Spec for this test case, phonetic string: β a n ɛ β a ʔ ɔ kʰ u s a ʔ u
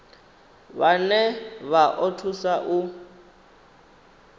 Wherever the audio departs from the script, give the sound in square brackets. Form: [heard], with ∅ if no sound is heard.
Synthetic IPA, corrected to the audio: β a n ɛ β a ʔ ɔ [tʰ] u s a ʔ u